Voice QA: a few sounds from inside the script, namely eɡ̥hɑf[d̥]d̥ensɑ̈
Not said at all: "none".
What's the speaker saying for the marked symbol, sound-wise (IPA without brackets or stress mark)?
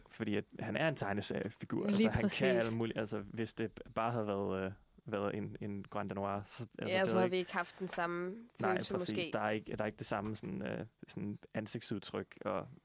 d̥